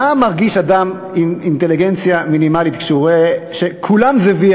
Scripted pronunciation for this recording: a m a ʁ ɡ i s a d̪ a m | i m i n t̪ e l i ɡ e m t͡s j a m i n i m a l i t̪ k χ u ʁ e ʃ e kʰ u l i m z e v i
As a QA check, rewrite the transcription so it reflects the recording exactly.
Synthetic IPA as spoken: a m a ʁ ɡ i ʃ a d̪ a m | i m i n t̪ e l i ɡ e n t͡s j a m i n i m a l i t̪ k ʃ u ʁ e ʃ e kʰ u l a m z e v i